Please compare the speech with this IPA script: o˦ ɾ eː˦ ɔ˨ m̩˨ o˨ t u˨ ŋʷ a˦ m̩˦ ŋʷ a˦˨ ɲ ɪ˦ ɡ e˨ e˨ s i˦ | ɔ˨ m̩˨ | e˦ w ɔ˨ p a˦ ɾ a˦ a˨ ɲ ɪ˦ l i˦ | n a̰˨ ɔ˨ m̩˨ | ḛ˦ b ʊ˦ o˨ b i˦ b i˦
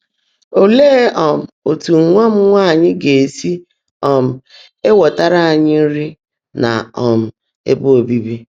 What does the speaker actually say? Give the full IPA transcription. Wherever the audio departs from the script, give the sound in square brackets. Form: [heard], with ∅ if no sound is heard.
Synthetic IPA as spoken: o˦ [l] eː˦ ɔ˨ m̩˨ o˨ t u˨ ŋʷ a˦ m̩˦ ŋʷ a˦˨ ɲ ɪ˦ ɡ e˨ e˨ s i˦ | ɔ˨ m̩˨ | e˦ w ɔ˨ [t] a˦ ɾ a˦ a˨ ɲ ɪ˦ [ɾ] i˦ | n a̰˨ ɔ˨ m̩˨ | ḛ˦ b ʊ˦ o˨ b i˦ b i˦